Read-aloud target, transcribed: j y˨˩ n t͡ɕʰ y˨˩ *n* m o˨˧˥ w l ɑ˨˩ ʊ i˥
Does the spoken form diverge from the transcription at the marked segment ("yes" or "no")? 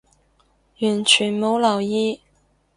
no